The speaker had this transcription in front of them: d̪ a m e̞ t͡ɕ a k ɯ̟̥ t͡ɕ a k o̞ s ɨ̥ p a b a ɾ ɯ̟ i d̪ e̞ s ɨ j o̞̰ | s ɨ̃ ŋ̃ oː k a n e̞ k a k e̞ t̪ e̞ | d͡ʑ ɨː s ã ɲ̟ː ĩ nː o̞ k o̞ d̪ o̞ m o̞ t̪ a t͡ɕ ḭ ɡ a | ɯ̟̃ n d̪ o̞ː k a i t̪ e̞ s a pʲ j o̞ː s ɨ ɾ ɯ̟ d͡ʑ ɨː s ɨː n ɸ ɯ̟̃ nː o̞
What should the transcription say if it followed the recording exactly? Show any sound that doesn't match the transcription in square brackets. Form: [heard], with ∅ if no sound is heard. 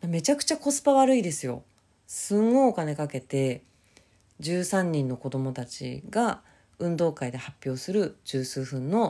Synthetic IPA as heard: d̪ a m e̞ t͡ɕ a k ɯ̟̥ t͡ɕ a k o̞ s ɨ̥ p a [β] a ɾ ɯ̟ i d̪ e̞ s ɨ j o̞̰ | s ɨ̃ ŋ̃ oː k a n e̞ k a k e̞ t̪ e̞ | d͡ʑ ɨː s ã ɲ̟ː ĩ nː o̞ k o̞ d̪ o̞ m o̞ t̪ a t͡ɕ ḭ ɡ a | ɯ̟̃ n d̪ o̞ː k a i [d̪] e̞ [h] a pʲ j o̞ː s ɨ ɾ ɯ̟ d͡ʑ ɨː s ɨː [∅] ɸ ɯ̟̃ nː o̞